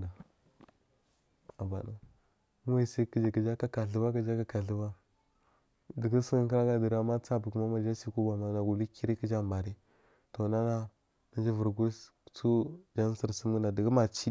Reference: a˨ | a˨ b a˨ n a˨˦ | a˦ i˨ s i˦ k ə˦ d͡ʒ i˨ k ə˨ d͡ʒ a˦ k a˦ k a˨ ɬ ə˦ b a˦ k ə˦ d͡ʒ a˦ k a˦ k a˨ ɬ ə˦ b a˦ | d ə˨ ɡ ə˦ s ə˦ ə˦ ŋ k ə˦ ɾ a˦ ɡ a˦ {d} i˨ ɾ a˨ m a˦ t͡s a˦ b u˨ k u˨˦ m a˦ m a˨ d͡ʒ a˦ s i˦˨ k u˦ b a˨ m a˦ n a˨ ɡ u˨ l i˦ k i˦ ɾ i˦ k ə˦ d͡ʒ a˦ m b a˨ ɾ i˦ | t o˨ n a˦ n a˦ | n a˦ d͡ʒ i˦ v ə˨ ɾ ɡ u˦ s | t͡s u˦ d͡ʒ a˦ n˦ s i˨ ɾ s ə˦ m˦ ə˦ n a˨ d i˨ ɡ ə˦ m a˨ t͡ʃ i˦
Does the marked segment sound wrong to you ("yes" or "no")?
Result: no